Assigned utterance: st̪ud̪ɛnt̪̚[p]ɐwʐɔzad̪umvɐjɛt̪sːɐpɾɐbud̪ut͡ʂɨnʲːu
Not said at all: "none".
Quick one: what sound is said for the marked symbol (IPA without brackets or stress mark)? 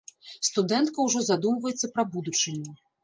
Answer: k